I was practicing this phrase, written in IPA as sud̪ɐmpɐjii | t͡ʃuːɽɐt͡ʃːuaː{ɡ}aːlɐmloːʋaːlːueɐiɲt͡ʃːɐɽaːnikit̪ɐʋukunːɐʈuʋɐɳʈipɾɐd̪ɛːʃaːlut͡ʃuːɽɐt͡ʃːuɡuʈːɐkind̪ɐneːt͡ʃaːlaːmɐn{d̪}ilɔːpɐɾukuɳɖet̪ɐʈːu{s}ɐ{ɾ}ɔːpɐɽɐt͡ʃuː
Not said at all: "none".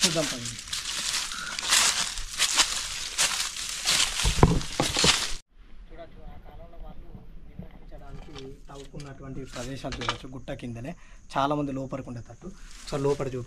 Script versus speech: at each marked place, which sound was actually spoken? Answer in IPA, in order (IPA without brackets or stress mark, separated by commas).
k, d̪, s, l